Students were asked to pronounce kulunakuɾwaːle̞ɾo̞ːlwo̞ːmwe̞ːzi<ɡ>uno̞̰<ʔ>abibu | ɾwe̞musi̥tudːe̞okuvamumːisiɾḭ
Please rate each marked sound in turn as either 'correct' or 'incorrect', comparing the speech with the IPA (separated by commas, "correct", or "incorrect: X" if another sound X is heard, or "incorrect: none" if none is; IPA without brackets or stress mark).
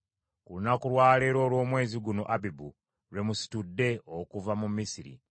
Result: correct, correct